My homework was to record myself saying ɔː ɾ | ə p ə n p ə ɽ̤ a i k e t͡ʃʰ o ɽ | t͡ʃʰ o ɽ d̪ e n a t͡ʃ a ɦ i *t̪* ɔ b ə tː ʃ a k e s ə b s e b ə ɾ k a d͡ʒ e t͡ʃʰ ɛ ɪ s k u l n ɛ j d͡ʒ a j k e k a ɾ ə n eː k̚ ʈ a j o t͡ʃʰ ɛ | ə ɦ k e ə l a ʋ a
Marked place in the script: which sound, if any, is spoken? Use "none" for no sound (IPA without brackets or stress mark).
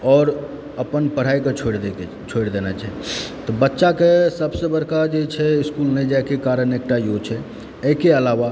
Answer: t̪